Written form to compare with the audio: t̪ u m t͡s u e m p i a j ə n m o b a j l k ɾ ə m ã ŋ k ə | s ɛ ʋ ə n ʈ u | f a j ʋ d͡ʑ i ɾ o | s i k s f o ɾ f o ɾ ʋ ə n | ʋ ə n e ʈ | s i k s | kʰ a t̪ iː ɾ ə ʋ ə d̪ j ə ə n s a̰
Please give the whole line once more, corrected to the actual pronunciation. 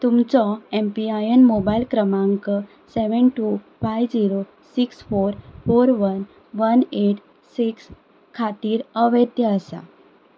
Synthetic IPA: t̪ u m t͡s ɔ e m p i a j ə n m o b a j l k ɾ ə m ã ŋ k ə | s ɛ ʋ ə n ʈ u | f a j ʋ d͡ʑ i ɾ o | s i k s f o ɾ f o ɾ ʋ ə n | ʋ ə n e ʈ | s i k s | kʰ a t̪ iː ɾ ə ʋ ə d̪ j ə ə s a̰